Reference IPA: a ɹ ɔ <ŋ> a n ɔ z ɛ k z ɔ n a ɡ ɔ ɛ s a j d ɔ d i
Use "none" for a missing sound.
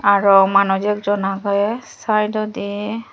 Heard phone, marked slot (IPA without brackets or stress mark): m